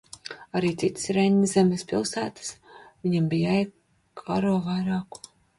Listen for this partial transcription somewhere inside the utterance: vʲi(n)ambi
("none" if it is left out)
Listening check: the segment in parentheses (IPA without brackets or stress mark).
ɲ